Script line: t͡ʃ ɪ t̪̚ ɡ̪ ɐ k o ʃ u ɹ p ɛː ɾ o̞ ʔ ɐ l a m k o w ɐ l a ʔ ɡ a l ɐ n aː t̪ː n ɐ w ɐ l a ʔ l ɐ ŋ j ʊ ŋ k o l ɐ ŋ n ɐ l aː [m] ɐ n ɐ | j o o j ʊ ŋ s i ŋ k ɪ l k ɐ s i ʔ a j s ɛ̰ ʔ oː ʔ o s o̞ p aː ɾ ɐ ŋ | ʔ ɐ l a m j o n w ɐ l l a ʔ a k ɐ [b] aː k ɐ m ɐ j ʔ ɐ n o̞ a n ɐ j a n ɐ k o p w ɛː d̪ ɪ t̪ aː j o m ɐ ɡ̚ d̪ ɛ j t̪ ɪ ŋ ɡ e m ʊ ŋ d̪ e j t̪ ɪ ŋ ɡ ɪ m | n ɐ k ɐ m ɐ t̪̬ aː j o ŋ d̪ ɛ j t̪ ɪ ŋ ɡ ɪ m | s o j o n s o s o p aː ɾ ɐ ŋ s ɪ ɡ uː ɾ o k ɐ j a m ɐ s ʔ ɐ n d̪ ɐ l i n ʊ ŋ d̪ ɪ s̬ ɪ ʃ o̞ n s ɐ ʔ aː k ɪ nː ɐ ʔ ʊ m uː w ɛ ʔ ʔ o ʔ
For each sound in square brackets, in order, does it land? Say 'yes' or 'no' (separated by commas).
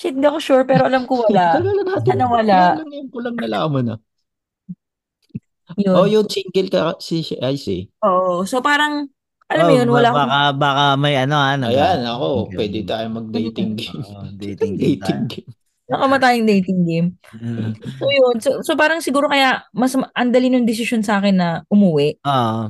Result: yes, yes